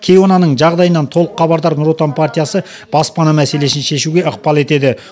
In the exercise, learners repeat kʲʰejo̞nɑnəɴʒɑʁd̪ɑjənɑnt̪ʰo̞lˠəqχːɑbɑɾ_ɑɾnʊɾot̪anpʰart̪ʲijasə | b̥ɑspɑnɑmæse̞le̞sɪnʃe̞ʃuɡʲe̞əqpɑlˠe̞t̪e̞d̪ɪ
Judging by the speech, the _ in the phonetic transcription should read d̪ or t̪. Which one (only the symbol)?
d̪